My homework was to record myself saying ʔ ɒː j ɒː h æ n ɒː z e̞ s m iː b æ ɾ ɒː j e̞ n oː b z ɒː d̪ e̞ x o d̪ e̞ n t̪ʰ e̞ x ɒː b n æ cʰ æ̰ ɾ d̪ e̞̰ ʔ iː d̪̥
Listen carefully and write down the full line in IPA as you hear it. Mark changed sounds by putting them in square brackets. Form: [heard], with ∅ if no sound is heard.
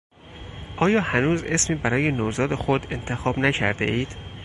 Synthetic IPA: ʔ ɒː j ɒː h æ n [uː] z e̞ s m iː b æ ɾ ɒː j e̞ n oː [∅] z ɒː d̪ e̞ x o d̪ e̞ n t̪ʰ e̞ x ɒː b n æ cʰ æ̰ ɾ d̪ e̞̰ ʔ iː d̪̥